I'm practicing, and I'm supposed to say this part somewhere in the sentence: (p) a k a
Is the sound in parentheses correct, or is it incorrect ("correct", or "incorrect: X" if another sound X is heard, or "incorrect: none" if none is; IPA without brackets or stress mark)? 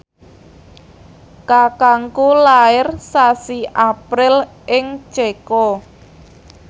incorrect: k